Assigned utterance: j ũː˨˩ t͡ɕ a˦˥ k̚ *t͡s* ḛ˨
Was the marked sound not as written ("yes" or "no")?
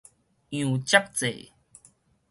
no